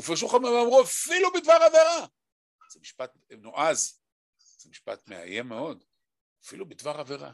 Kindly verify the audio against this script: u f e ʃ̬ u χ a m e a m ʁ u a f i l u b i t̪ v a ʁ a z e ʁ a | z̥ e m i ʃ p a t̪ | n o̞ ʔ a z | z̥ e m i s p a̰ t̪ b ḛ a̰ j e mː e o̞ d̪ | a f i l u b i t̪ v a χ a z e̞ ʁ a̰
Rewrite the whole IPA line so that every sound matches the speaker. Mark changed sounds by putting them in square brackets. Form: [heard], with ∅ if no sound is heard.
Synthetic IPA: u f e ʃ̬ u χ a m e a m ʁ u a f i l u b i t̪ v a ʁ a [v] e ʁ a | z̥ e m i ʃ p a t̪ | n o̞ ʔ a z | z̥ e m i [ʃ] p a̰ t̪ [m] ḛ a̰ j e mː e o̞ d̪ | a f i l u b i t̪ v a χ a [v] e̞ ʁ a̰